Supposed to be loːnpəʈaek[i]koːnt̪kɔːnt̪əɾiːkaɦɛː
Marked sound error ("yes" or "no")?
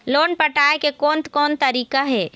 yes